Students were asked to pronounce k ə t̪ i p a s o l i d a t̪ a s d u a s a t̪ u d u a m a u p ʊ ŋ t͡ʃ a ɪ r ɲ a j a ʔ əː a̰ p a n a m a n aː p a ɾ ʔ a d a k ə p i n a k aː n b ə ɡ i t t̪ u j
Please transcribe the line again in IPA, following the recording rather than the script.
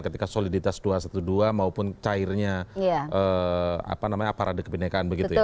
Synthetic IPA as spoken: k ə t̪ i k a s o l i d i t̪ a s d u a s a t̪ u d u a m a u p ʊ n t͡ʃ a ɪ r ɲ a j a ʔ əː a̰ p a n a m a ɲ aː p a ɾ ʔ a d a k ə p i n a k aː n b ə ɡ i t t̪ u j